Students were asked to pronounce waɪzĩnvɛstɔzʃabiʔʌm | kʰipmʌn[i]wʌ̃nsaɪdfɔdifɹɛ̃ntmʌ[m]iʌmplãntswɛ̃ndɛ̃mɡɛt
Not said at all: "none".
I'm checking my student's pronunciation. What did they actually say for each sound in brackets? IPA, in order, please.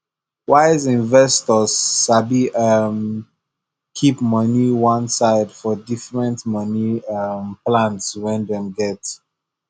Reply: i, n

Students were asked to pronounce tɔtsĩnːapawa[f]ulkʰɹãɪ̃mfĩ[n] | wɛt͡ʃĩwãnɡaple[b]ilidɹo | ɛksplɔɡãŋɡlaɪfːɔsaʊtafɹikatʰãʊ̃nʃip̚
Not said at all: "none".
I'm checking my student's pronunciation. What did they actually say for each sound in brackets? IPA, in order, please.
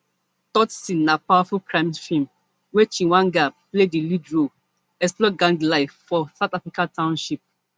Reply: f, m, d

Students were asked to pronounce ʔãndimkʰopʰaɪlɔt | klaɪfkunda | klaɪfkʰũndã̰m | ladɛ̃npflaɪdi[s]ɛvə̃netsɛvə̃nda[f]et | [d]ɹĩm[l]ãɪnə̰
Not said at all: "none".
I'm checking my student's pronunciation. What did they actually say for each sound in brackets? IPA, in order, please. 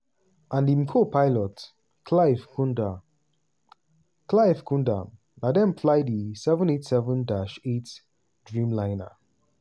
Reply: s, ʃ, d, l

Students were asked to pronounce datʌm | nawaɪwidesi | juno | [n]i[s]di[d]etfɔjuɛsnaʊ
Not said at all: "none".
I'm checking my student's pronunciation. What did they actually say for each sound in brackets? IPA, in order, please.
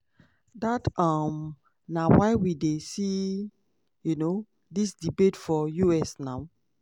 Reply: d, s, b

